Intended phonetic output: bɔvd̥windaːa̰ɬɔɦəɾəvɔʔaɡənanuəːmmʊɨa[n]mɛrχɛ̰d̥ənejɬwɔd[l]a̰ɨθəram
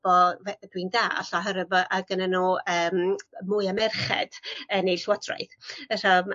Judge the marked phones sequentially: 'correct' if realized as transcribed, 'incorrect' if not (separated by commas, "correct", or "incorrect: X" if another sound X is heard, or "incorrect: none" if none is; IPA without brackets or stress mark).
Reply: incorrect: none, incorrect: r